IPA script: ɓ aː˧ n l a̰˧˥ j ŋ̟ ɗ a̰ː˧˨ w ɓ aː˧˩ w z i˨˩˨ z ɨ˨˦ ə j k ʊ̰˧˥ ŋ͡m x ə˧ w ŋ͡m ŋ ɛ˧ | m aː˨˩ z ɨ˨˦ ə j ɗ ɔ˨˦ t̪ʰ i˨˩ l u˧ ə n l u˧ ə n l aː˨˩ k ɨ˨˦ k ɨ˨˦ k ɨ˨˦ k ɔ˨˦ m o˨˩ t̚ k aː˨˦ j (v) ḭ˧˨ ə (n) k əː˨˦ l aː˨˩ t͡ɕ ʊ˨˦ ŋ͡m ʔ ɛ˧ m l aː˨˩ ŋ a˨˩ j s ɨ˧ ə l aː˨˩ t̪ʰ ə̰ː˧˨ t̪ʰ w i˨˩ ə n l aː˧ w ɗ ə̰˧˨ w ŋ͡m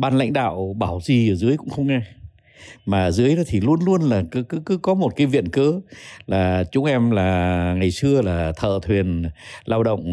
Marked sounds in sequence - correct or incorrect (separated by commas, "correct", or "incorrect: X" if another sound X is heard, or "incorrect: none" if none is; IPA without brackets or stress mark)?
correct, correct